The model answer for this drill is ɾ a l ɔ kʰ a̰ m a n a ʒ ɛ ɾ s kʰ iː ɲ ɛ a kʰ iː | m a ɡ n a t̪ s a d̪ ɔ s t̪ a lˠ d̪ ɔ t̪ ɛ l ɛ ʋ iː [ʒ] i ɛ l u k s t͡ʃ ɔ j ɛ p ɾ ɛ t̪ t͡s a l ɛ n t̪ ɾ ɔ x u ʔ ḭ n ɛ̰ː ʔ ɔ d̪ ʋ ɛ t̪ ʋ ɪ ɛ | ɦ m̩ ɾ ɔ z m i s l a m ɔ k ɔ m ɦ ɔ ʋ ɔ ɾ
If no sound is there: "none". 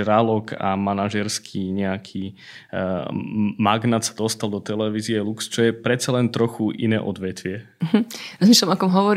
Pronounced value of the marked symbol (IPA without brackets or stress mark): z